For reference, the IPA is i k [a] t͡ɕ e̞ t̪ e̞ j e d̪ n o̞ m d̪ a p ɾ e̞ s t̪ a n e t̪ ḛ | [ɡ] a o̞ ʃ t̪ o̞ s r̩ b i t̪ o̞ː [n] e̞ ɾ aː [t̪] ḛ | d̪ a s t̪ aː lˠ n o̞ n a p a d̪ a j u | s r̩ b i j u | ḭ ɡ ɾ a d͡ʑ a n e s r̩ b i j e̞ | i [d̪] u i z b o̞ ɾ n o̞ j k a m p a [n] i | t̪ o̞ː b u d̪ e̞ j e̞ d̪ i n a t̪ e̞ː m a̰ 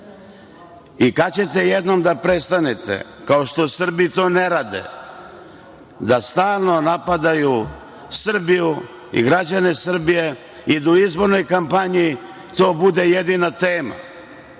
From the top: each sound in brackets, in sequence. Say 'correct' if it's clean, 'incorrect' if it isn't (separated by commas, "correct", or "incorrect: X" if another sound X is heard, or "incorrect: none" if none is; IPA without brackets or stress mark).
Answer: correct, incorrect: k, correct, incorrect: d̪, correct, incorrect: ɲ